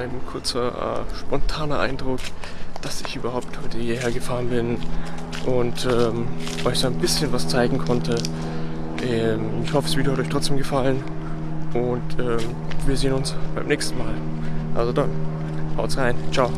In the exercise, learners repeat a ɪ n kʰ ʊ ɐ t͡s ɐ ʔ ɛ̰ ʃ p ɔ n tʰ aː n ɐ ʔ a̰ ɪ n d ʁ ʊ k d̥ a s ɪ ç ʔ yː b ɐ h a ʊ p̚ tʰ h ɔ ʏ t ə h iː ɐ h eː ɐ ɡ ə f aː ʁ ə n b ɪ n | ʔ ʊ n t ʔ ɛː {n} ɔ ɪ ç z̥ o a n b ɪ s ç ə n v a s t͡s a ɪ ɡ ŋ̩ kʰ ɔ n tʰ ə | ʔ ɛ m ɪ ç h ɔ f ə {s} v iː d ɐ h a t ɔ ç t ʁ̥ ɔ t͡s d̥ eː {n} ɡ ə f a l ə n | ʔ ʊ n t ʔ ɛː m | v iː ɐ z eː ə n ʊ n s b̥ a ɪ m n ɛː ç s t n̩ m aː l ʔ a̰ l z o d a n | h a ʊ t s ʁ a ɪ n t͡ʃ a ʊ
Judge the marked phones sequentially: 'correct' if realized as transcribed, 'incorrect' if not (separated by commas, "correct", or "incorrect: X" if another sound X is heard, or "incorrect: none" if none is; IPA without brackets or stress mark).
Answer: incorrect: m, correct, incorrect: m